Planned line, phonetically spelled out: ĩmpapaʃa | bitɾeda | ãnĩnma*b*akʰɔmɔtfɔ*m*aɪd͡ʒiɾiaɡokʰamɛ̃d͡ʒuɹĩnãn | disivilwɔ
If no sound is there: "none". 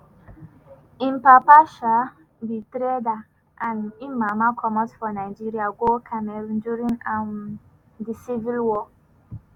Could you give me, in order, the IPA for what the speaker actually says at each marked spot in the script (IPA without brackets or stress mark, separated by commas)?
m, n